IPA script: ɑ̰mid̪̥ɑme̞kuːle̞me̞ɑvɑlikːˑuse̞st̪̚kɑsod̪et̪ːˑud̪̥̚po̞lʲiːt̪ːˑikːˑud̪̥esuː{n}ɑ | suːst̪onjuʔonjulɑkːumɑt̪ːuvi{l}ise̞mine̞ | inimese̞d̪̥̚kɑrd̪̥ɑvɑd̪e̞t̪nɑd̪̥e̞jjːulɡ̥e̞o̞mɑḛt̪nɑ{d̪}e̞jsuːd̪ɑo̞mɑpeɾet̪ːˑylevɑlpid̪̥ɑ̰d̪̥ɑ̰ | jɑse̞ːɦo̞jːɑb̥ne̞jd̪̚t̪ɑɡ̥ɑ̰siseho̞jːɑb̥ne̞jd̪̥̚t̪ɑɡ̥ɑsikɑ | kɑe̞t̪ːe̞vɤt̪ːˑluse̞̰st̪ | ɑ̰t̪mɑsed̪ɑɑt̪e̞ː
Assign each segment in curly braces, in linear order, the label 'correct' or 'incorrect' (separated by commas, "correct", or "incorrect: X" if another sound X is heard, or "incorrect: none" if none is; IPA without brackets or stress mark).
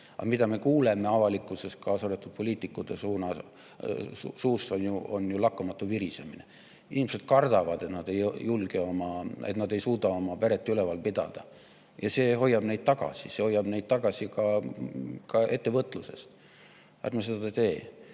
correct, incorrect: ɾ, correct